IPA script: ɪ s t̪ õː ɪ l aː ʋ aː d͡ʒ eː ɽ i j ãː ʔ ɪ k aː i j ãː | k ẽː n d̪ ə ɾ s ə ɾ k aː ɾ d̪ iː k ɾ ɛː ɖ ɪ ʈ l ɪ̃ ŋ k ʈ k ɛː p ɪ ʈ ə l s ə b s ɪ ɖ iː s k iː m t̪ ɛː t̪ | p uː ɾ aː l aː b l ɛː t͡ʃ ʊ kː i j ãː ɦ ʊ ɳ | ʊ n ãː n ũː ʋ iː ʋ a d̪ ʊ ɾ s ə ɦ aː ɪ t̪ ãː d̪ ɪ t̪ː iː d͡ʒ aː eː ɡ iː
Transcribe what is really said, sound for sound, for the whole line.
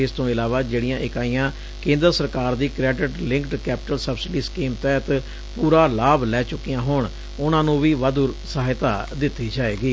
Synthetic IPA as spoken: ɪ s t̪ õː ɪ l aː ʋ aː d͡ʒ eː ɽ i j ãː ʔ ɪ k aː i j ãː | k ẽː n d̪ ə ɾ s ə ɾ k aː ɾ d̪ iː k ɾ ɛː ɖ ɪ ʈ l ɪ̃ ŋ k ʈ k ɛː p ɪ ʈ ə l s ə b s ɪ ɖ iː s k iː m t̪ ɛː t̪ | p uː ɾ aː l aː b l ɛː t͡ʃ ʊ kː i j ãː ɦ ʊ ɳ | ʊ n ãː n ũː ʋ iː ʋ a d̪ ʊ ɾ s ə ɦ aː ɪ t̪ aː d̪ ɪ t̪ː iː d͡ʒ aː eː ɡ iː

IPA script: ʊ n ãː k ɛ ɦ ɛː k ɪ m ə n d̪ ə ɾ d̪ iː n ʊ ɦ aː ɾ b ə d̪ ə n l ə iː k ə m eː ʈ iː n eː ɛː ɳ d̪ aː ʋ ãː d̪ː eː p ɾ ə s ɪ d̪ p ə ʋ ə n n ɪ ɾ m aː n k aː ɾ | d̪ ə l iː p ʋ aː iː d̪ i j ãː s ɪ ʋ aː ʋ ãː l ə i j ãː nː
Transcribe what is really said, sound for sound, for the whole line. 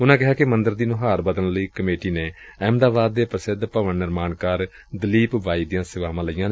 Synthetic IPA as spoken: ʊ n ãː k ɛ ɦ aː k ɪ m ə n d̪ ə ɾ d̪ iː n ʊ ɦ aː ɾ b ə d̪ ə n l ə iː k ə m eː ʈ iː n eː ɛː m d̪ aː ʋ aː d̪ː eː p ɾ ə s ɪ d̪ p ə ʋ ə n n ɪ ɾ m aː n k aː ɾ | d̪ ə l iː p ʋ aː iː d̪ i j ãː s ɪ ʋ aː ʋ ãː l ə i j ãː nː

